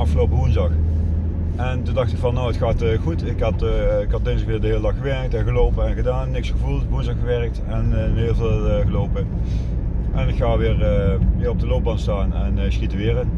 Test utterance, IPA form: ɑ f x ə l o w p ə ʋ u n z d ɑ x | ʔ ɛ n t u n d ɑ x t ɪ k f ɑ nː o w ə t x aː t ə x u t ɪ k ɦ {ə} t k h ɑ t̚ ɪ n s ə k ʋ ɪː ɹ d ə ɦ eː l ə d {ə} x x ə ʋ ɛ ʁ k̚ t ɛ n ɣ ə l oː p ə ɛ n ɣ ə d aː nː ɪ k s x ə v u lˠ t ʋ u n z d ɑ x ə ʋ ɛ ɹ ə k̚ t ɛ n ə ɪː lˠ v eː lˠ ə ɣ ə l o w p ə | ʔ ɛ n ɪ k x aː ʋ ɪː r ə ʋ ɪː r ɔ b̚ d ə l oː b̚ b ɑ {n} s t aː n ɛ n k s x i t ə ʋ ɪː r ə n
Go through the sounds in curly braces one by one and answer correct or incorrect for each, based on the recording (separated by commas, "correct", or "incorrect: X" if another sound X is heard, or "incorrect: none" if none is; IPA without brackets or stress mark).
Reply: incorrect: ɑ, incorrect: ɑ, correct